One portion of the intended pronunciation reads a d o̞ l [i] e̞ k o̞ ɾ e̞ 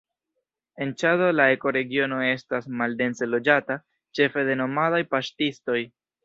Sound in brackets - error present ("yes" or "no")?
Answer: yes